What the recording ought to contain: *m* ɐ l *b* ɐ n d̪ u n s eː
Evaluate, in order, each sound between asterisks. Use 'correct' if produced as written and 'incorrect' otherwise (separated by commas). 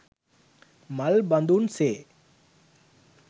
correct, correct